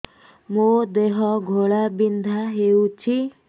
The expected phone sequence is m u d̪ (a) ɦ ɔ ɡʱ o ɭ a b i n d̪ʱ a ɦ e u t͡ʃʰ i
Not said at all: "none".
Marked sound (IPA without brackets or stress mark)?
e